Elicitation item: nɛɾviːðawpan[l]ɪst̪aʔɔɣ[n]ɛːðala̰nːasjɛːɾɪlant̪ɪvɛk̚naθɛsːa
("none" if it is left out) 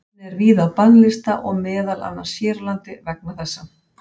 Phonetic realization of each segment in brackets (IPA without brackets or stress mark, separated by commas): l, m